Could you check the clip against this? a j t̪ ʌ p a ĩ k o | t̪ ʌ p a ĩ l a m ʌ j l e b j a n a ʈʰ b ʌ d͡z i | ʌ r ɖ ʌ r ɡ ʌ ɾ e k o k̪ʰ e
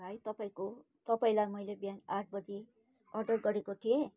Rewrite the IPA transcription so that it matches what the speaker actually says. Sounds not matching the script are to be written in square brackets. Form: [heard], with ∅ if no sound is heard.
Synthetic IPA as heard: a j t̪ ʌ p a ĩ k o | t̪ ʌ p a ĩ l a m ʌ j l e b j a n a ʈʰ b ʌ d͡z i | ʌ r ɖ ʌ r ɡ ʌ ɾ e k o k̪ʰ e